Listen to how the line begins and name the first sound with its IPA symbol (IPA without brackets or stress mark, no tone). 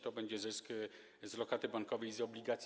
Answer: t̪